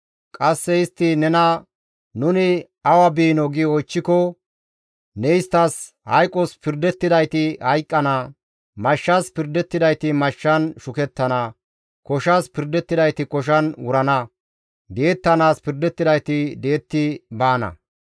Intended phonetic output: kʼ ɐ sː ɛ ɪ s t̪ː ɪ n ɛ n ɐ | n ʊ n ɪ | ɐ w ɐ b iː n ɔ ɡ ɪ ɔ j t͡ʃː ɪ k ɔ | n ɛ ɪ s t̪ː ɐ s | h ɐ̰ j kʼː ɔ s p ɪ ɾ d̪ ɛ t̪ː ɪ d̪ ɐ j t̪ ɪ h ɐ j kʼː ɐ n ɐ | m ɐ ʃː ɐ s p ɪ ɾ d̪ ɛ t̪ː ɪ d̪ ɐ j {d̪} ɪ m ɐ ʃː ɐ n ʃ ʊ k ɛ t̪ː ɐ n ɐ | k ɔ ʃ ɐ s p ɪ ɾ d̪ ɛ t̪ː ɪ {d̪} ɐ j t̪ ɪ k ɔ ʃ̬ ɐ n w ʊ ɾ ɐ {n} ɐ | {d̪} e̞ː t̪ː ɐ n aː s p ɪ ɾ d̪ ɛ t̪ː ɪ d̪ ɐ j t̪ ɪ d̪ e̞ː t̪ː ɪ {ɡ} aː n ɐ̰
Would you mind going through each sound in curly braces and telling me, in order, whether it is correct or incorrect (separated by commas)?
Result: incorrect, correct, correct, correct, incorrect